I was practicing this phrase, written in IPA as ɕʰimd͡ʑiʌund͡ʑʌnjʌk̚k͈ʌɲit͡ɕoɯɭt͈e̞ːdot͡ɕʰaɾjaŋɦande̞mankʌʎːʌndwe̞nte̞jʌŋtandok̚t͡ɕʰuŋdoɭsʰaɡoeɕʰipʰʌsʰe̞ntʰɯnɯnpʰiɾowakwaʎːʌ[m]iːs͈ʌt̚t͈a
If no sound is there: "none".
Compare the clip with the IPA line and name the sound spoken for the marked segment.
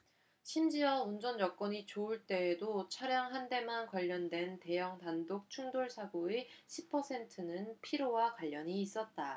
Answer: ɲ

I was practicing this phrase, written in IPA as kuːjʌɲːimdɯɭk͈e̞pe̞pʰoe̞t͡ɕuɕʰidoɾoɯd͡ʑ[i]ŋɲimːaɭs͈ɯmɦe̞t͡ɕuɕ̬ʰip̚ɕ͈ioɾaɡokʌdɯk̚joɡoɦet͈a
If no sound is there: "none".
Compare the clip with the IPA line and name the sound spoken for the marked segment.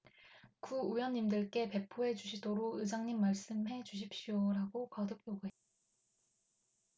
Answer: a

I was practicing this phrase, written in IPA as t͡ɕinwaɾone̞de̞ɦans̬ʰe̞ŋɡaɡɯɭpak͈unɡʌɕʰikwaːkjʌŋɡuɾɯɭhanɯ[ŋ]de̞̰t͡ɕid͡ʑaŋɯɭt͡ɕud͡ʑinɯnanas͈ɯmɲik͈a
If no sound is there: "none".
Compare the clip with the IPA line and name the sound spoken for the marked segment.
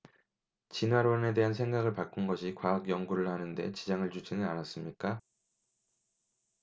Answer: n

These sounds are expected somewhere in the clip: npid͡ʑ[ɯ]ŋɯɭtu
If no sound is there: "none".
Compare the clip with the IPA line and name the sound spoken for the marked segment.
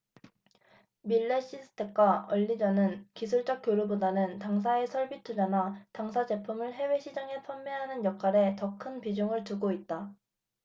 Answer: u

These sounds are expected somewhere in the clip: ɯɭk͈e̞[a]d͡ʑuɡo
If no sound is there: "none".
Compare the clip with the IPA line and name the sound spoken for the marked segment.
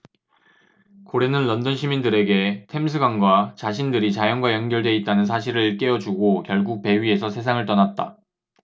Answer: ʌ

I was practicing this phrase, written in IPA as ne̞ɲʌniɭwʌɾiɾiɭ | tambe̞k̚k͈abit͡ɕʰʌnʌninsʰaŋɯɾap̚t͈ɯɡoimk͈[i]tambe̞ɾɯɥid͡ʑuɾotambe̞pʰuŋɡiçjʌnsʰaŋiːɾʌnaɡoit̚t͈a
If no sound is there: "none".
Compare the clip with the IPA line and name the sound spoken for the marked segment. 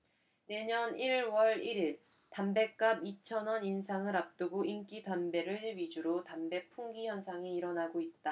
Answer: i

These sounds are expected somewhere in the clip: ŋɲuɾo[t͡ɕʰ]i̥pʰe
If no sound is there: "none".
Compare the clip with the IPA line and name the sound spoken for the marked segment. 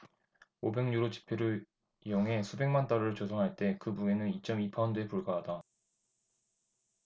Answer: t͡ɕ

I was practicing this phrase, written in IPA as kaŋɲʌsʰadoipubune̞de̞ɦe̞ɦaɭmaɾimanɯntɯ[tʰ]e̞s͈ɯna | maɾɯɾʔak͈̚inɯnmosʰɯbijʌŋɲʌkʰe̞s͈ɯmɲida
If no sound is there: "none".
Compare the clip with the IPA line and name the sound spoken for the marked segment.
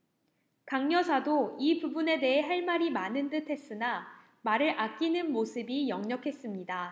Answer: tʰ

